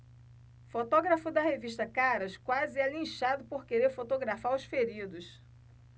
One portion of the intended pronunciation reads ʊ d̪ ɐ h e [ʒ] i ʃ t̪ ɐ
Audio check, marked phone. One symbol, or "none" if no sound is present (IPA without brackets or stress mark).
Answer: v